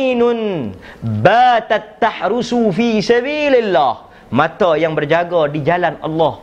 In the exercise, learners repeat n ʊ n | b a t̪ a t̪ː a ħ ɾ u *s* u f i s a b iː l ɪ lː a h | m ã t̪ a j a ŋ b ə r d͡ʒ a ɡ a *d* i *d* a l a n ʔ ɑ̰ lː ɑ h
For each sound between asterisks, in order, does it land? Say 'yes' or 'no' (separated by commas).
yes, yes, no